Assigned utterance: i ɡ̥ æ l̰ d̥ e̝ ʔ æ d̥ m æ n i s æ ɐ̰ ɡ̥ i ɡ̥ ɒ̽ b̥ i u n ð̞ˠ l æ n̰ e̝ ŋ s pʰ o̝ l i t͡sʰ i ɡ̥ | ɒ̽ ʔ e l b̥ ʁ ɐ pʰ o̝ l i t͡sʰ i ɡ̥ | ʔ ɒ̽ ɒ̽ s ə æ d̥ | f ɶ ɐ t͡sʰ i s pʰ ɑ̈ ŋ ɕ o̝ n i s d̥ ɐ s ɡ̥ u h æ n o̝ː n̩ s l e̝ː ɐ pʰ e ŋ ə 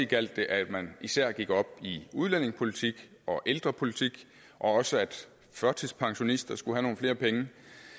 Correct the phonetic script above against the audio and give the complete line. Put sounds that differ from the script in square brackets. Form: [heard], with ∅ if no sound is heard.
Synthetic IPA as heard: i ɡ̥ æ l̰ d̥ e̝ ʔ æ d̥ m æ n i s æ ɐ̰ ɡ̥ i ɡ̥ ɒ̽ b̥ i u [∅] ð̞ˠ l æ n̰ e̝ ŋ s pʰ o̝ l i t͡sʰ i ɡ̥ | ɒ̽ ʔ e l [d̥] ʁ ɐ pʰ o̝ l i t͡sʰ i ɡ̥ | ʔ ɒ̽ ɒ̽ s ə æ d̥ | f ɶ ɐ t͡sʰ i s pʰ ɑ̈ ŋ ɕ o̝ n i s d̥ ɐ s ɡ̥ u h æ n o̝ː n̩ [f] l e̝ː ɐ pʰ e ŋ ə